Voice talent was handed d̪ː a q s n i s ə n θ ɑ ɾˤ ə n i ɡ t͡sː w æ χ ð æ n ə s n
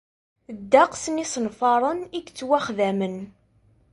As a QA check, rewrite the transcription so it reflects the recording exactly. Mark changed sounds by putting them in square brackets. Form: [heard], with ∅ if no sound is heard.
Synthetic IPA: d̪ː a q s n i s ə n [f] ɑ ɾˤ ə n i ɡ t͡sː w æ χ ð æ [m] ə [∅] n